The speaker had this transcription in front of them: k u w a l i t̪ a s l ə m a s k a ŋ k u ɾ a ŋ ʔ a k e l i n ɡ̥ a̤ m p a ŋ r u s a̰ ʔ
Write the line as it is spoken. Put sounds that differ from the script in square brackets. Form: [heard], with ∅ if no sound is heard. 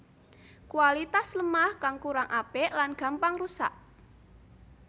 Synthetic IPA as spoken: k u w a l i t̪ a s l ə m a [h] k a ŋ k u ɾ a ŋ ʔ a [p] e l [a] n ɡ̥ a̤ m p a ŋ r u s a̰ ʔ